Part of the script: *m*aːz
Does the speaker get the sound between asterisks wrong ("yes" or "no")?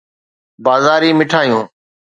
yes